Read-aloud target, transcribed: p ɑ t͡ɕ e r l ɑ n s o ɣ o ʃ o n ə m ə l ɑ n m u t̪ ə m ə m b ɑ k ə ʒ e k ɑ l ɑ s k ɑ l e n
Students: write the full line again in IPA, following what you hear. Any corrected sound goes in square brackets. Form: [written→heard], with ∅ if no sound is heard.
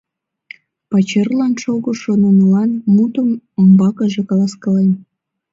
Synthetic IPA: p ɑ t͡ɕ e r l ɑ n [s→ʃ] o ɣ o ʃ o n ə [m→n] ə l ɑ n m u t̪ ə m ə m b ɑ k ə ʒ e k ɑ l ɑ s k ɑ l e n